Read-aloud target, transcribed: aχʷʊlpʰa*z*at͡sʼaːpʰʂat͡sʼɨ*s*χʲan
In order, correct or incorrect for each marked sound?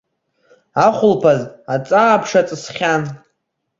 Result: correct, correct

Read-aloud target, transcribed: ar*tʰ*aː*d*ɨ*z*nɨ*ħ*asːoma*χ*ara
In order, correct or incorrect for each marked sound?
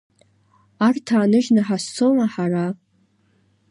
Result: correct, incorrect: n, incorrect: ʒ, correct, incorrect: ħ

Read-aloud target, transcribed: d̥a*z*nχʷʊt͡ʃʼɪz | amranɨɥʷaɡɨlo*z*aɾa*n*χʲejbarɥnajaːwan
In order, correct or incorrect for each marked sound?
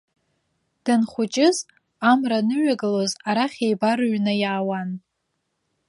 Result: incorrect: none, correct, incorrect: none

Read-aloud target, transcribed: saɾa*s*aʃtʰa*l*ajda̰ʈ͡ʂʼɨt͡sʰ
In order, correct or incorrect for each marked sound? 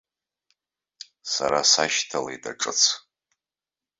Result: correct, correct

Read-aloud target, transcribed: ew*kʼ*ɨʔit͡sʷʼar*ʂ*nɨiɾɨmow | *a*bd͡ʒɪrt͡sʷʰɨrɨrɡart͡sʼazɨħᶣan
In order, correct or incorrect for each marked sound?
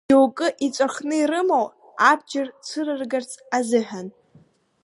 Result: correct, incorrect: χ, correct

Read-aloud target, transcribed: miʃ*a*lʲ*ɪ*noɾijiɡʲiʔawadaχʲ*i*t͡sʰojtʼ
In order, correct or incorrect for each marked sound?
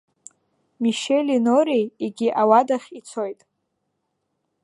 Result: incorrect: e, incorrect: i, correct

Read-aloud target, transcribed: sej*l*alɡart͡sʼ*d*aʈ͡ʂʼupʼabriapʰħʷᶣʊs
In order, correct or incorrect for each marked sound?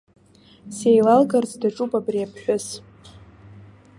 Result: correct, correct

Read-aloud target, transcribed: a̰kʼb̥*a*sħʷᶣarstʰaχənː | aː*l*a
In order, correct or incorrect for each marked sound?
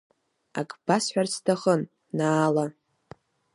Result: correct, correct

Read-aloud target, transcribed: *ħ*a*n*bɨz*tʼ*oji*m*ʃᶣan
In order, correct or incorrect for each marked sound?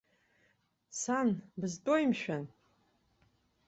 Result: incorrect: s, correct, correct, correct

